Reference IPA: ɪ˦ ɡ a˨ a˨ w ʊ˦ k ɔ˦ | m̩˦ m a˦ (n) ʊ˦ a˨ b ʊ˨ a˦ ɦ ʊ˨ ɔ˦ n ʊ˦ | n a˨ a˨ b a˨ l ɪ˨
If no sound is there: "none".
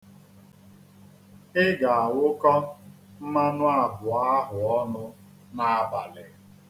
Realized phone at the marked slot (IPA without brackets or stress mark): n